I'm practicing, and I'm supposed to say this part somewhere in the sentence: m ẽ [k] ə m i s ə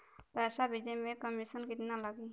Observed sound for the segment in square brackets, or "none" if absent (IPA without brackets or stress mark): k